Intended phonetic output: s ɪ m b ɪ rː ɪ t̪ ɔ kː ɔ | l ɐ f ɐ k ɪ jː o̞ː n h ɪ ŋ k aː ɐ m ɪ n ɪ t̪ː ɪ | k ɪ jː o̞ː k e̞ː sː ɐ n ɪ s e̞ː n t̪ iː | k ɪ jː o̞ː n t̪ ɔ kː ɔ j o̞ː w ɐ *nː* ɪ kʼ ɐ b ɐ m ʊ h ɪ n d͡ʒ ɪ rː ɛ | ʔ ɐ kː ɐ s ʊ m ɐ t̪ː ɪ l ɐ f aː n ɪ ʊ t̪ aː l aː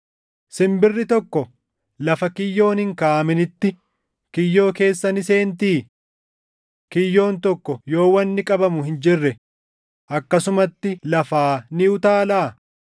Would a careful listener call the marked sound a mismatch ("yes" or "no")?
no